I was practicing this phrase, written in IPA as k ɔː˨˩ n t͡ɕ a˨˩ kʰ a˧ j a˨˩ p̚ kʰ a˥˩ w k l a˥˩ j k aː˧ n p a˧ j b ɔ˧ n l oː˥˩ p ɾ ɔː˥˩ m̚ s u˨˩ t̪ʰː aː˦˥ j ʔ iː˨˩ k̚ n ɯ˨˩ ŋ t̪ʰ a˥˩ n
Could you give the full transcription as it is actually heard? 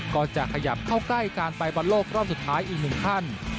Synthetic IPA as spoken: k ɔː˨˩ n t͡ɕ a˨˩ kʰ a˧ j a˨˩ p̚ kʰ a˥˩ w k l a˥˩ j k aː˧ n p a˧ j b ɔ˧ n l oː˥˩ k ɾ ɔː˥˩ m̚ s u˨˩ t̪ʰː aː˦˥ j ʔ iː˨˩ k̚ n ɯ˨˩ ŋ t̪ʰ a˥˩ n